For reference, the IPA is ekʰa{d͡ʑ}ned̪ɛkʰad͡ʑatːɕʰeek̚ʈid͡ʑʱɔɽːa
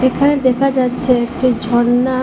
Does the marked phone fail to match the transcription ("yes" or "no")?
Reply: yes